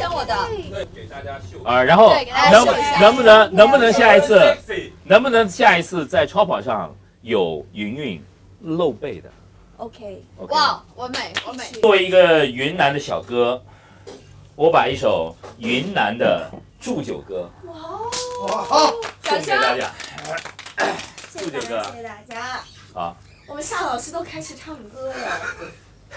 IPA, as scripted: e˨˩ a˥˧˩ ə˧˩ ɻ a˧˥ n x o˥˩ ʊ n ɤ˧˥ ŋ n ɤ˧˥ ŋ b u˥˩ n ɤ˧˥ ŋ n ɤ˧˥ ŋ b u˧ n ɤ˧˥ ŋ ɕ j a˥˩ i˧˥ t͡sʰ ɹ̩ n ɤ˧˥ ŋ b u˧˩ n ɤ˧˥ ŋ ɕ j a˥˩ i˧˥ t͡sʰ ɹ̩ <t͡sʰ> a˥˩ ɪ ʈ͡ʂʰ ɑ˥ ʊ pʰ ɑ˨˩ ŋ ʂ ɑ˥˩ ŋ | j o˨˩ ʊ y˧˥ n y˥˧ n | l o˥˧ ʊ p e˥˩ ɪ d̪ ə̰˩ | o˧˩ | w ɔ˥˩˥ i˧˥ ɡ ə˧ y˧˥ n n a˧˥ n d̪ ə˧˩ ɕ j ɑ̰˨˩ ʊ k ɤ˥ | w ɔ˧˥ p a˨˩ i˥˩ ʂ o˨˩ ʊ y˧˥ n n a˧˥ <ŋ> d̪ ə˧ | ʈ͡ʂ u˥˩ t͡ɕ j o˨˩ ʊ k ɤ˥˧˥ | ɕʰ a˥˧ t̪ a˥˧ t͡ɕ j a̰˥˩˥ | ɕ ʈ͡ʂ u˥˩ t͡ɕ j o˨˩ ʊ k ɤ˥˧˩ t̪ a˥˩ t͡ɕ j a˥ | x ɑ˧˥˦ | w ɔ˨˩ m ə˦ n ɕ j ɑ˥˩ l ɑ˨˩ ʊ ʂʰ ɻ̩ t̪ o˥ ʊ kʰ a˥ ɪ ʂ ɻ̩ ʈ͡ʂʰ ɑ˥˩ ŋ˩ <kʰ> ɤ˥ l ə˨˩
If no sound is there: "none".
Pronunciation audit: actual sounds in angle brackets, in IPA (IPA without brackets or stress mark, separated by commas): t͡s, n, k